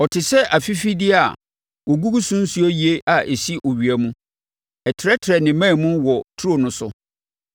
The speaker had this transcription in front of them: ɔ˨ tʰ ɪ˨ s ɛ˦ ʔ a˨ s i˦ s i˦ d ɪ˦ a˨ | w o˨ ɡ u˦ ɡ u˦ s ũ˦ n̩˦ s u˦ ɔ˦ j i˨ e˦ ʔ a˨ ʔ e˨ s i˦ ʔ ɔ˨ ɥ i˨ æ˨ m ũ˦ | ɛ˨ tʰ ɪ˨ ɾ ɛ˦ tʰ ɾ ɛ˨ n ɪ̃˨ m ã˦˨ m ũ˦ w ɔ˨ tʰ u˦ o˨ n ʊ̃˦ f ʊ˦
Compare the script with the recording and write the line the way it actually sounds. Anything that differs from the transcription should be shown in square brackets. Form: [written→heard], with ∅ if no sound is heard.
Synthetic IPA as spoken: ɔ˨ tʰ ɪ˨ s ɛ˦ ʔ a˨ [s→f] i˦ [s→f] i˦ d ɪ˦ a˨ | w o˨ ɡ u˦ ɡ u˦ s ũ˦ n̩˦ s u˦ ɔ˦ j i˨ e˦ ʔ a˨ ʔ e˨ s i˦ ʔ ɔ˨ ɥ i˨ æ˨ m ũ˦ | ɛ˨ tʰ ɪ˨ ɾ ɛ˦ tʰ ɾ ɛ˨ n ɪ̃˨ m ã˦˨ m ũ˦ w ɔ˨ tʰ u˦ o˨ n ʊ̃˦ [f→s] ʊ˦